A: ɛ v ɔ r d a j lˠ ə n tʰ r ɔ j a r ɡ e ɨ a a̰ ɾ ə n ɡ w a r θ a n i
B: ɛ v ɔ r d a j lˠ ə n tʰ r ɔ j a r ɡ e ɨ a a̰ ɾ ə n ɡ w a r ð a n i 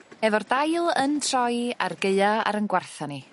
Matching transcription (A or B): A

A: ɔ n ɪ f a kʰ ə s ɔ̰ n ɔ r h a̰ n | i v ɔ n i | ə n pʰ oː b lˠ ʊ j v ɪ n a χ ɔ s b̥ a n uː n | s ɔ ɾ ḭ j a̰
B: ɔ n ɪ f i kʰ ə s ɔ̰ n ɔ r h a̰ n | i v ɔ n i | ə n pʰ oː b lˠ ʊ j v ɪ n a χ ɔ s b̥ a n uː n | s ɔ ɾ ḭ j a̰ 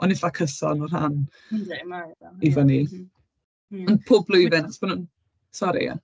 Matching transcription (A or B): A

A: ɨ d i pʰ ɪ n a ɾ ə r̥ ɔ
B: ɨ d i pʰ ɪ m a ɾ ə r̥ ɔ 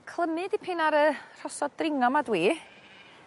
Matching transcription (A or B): A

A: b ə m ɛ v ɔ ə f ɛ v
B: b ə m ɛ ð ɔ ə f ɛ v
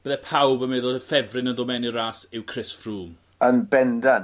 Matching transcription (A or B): B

